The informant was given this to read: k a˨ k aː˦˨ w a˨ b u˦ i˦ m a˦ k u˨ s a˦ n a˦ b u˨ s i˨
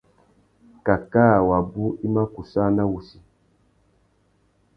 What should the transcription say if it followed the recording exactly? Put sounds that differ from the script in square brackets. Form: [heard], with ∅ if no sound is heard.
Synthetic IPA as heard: k a˨ k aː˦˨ w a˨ b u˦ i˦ m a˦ k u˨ s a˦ n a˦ [w] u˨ s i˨